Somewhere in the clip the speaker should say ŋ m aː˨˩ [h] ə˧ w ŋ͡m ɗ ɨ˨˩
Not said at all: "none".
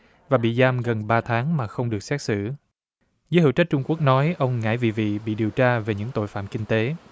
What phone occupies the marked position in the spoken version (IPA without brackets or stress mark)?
x